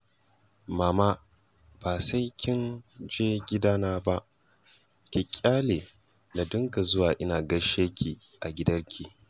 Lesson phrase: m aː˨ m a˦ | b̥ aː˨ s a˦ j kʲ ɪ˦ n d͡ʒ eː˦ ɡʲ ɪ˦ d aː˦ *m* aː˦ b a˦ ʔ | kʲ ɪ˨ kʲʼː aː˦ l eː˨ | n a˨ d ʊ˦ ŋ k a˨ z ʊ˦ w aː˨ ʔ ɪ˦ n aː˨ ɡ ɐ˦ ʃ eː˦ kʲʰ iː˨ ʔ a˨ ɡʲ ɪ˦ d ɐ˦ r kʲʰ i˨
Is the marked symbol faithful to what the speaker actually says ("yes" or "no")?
no